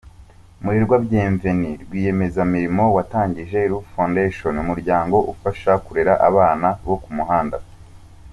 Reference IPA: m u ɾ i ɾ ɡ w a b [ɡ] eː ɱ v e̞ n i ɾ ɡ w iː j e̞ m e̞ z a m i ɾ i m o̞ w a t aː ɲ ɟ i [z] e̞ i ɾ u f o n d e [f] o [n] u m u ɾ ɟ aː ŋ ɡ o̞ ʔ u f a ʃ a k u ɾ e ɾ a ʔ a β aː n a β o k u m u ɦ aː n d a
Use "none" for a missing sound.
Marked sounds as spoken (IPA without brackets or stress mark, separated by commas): ɟ, ʒ, ʃ, n